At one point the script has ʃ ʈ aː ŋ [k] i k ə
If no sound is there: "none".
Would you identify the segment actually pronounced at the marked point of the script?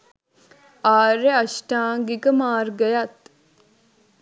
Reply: ɡ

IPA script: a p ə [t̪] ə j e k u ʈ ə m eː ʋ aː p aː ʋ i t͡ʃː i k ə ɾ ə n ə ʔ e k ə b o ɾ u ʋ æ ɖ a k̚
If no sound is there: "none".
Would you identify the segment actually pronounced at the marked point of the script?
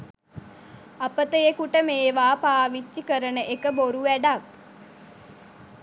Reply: t̪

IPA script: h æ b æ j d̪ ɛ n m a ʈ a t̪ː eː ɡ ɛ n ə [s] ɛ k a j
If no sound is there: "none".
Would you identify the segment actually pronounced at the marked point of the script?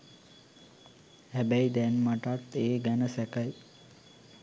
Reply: s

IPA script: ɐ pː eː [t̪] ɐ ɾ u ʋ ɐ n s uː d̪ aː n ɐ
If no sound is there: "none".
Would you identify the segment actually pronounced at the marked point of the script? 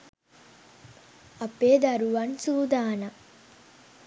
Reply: d̪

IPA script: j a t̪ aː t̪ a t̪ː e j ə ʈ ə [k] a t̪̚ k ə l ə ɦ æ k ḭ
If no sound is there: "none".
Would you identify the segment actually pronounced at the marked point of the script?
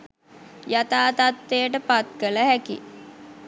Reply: p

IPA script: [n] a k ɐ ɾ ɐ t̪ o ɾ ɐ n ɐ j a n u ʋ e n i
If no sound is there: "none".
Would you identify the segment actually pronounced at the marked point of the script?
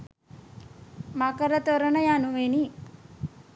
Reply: m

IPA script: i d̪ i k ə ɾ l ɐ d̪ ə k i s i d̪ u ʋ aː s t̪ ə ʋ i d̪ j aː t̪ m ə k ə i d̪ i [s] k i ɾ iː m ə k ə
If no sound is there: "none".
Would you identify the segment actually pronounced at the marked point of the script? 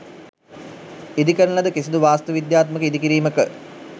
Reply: none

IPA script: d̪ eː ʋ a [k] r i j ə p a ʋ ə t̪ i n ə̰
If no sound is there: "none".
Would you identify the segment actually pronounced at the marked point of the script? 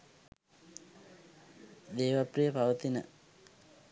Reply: p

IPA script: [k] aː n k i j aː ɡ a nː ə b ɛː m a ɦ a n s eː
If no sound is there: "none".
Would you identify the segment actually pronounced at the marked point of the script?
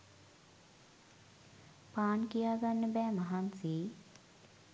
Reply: p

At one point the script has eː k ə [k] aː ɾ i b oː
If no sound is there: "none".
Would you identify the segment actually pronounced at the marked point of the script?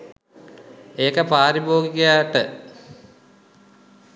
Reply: p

